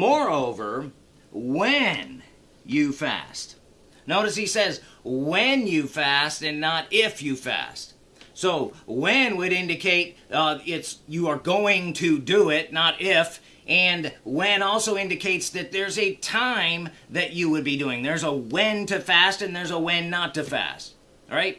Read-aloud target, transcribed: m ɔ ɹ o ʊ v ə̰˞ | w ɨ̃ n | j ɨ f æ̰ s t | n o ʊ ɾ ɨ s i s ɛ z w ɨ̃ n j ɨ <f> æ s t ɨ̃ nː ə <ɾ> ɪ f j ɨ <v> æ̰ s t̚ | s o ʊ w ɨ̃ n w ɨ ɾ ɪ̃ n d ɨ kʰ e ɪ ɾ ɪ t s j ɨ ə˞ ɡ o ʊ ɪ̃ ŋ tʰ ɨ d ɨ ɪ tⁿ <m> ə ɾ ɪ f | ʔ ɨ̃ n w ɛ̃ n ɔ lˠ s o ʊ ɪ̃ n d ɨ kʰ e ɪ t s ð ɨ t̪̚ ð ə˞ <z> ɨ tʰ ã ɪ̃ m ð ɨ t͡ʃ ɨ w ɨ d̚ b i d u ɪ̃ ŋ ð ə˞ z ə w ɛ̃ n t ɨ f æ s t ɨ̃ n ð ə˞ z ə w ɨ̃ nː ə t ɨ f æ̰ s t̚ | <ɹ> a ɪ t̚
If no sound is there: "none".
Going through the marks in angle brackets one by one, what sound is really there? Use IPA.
f, ɾ, f, n, z, ɹ

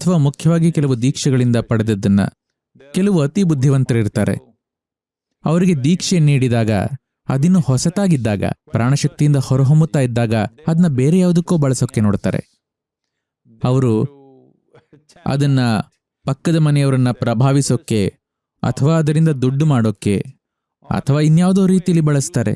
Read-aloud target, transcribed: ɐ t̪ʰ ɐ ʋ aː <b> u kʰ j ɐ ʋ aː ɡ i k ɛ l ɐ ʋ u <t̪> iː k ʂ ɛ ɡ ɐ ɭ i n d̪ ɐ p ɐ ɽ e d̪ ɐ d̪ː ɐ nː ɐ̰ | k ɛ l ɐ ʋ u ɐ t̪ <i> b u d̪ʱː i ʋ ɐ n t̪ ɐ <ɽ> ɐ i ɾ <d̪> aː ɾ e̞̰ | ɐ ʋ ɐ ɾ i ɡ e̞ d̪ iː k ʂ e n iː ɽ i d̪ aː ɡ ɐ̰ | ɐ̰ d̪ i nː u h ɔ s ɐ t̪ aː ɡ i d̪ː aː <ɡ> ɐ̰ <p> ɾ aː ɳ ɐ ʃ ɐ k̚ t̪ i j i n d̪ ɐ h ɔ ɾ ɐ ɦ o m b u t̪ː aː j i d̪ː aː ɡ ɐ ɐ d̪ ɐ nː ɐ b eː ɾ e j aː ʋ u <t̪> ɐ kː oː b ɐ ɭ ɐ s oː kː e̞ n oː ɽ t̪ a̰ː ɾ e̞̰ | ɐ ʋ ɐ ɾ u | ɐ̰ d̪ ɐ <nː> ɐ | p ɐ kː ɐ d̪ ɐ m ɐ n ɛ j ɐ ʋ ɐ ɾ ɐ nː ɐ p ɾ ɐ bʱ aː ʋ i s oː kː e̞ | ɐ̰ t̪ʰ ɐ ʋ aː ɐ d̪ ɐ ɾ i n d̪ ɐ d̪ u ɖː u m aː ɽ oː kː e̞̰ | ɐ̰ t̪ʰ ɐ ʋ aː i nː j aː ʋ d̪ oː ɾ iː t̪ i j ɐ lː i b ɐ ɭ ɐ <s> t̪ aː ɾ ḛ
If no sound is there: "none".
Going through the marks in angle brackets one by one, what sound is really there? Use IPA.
m, d̪, i, ɾ, t̪, ɡ, p, d̪, nː, s

